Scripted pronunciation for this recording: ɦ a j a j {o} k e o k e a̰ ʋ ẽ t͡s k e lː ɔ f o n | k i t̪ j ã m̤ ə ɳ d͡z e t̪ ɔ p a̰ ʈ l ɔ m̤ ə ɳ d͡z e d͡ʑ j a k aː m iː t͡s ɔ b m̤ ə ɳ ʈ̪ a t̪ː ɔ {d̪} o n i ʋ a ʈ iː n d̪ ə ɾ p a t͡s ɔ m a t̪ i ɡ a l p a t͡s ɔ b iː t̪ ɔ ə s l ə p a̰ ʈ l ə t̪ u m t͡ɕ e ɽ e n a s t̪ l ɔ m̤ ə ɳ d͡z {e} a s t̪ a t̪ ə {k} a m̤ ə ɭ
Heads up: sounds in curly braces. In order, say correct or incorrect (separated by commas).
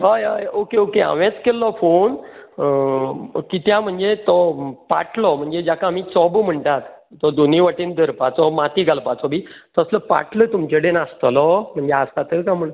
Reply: correct, correct, correct, correct